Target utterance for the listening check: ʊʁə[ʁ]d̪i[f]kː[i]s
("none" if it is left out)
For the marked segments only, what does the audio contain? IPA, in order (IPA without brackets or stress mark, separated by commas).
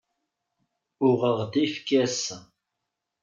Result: ʁ, f, æ